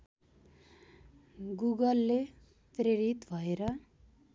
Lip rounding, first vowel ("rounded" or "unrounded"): rounded